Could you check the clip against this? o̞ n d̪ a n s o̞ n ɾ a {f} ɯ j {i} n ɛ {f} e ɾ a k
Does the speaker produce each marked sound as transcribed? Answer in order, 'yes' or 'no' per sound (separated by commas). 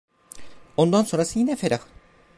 no, yes, yes